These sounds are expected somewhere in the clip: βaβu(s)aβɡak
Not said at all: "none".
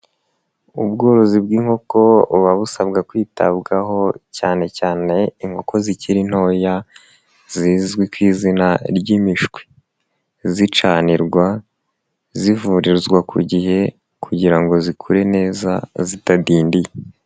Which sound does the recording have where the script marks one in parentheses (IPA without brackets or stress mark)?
s